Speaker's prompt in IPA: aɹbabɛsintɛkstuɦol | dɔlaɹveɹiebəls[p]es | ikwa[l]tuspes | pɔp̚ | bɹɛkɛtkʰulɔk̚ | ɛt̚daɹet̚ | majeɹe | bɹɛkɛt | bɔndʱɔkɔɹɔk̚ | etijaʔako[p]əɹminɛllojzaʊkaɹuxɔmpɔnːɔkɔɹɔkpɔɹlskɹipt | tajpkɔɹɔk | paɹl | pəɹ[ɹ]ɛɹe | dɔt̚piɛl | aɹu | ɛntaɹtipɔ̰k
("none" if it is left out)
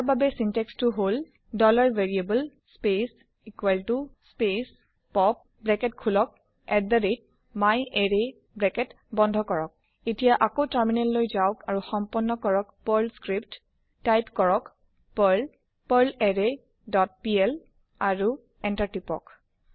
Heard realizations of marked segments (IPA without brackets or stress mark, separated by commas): p, l, t, l